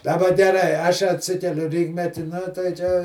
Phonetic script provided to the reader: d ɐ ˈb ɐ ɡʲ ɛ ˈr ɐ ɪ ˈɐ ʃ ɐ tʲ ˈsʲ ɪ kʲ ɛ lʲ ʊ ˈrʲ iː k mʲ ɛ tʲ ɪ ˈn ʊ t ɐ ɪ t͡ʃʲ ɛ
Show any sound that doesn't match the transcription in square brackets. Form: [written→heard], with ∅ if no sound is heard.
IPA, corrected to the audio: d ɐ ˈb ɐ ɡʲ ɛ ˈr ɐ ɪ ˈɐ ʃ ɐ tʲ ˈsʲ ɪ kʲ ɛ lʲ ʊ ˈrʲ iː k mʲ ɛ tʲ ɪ ˈn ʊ t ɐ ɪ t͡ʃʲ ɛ